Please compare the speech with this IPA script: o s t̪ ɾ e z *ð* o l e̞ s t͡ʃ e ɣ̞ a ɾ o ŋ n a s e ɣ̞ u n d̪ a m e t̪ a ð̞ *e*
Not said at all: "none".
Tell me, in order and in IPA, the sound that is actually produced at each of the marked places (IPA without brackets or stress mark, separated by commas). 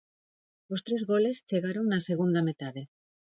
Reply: ɣ, e